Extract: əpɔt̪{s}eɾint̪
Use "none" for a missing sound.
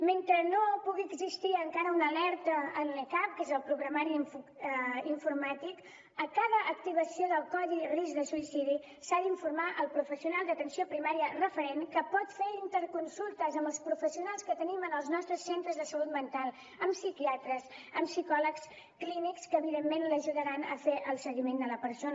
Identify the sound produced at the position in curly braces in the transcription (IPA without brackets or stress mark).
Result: f